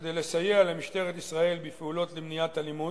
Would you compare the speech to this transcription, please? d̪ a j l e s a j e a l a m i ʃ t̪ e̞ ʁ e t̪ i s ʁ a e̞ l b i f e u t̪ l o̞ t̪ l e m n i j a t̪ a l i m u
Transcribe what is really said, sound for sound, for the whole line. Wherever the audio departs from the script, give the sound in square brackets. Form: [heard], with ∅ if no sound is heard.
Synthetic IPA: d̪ [e] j l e s a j e a l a m i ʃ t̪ e̞ ʁ e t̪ i s ʁ a e̞ l b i f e u [∅] l o̞ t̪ l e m n i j a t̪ a l i m u